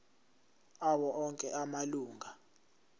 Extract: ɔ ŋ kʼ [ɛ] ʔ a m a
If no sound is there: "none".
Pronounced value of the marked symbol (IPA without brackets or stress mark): ɛ